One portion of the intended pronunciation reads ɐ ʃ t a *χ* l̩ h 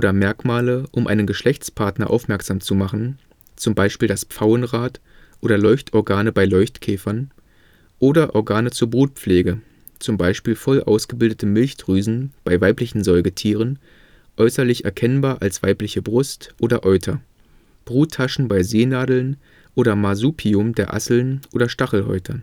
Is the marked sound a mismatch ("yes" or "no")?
no